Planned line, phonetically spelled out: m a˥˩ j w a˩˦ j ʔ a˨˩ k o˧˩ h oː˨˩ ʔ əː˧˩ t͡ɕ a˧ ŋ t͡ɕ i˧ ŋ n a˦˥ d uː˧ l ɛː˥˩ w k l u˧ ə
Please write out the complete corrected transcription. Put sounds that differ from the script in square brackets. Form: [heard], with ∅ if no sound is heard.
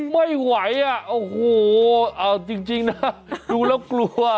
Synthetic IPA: m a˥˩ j w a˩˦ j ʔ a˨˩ [ʔ] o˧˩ h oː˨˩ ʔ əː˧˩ t͡ɕ [i˧] ŋ t͡ɕ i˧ ŋ n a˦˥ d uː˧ l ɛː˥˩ w k l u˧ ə